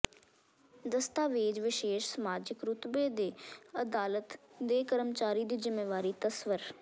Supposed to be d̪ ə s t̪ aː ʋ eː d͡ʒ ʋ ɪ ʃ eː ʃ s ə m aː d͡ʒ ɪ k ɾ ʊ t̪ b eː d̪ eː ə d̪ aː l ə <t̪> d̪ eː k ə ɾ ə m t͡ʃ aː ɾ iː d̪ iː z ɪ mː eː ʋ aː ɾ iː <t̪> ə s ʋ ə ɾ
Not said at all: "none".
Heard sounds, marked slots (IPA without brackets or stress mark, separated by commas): t̪, t̪